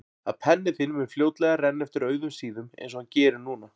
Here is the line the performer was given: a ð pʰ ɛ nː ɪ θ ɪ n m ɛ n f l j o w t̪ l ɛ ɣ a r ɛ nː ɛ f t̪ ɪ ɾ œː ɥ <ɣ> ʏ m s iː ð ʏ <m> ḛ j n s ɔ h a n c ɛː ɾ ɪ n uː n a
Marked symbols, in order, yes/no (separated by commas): no, yes